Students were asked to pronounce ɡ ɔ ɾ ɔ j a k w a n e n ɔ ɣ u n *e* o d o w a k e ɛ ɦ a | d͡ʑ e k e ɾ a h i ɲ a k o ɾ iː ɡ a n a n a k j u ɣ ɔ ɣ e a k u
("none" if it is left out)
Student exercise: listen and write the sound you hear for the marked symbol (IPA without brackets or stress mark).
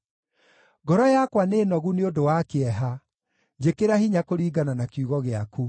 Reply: e